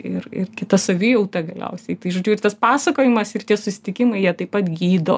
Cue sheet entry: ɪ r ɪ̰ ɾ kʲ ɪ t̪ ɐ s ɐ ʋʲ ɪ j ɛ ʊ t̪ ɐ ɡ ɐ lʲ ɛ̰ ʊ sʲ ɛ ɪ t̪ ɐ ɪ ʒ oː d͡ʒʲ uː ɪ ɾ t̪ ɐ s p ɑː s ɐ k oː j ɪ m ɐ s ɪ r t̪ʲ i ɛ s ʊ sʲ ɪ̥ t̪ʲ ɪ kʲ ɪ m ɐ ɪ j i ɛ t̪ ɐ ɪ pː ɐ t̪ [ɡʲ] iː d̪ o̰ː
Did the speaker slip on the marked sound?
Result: no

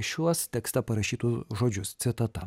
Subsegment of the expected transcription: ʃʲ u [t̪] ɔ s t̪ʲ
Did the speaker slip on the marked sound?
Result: yes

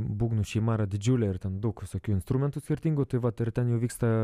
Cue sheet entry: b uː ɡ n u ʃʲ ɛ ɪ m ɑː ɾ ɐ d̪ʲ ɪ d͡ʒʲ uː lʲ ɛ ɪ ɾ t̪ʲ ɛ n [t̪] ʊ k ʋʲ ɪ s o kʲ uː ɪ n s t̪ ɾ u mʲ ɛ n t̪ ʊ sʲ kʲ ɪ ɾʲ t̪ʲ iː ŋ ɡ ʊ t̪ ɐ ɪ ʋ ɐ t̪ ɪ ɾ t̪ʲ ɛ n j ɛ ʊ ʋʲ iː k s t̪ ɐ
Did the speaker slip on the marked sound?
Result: yes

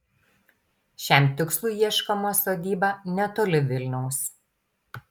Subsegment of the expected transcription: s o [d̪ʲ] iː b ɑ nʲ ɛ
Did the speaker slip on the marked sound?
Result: no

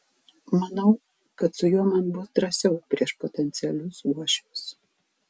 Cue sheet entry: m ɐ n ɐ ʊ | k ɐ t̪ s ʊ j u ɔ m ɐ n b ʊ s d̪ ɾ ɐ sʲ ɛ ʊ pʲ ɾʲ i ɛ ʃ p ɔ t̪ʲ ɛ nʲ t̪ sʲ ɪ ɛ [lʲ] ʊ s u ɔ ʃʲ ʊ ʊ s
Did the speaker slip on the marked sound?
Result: no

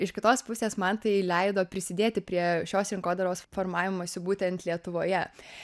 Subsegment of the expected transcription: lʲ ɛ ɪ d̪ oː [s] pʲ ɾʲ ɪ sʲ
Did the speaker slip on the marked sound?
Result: yes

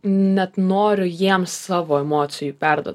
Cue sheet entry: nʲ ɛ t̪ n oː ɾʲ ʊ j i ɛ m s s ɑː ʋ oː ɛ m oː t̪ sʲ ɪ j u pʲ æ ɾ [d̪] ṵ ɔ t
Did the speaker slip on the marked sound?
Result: no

